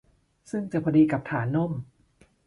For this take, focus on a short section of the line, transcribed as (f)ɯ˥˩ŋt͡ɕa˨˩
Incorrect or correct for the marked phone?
incorrect: s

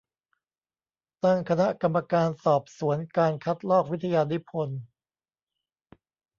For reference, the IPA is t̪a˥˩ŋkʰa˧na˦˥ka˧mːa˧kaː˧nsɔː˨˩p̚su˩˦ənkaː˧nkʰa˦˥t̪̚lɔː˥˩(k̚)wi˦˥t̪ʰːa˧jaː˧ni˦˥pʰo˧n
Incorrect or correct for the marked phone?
correct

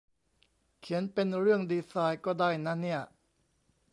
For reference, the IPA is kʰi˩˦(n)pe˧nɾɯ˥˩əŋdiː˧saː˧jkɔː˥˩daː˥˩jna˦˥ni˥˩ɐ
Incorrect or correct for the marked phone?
correct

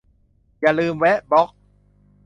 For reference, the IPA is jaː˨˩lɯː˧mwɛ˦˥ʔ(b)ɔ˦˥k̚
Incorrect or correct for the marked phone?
correct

